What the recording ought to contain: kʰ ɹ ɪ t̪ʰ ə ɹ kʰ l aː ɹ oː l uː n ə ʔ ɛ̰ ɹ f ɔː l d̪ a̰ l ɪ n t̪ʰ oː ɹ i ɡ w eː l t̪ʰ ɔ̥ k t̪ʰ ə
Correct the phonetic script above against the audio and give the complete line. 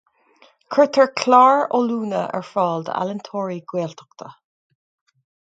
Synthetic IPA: kʰ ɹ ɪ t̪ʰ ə ɹ kʰ l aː ɹ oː l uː n ə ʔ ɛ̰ ɹ f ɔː l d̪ a̰ l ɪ n t̪ʰ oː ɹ i ɡ w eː l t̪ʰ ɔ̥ k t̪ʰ ə